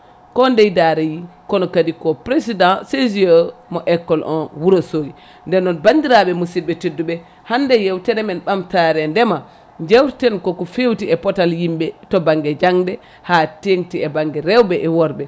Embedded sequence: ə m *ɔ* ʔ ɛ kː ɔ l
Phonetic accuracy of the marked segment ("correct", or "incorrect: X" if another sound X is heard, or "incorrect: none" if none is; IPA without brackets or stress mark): correct